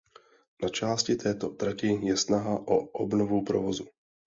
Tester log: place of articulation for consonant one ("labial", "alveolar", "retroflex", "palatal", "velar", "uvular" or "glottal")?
alveolar